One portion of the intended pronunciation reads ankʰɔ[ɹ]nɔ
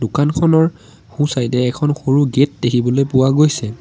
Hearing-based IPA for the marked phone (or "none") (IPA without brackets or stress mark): none